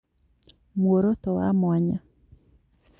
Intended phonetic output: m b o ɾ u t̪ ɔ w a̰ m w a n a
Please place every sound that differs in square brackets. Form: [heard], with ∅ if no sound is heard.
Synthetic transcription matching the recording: m [w] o ɾ [o] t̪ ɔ w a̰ m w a [ɲ] a